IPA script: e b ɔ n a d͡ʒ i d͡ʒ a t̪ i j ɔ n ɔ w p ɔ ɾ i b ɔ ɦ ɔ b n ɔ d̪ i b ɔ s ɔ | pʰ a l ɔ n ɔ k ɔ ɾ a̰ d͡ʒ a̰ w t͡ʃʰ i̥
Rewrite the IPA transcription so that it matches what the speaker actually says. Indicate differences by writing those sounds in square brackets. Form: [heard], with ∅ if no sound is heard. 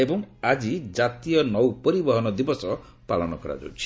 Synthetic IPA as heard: e b ɔ [ŋ] a d͡ʒ i d͡ʒ a t̪ i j ɔ n ɔ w p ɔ ɾ i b ɔ ɦ ɔ [∅] n ɔ d̪ i b ɔ s ɔ | [p] a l ɔ n ɔ k ɔ ɾ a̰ d͡ʒ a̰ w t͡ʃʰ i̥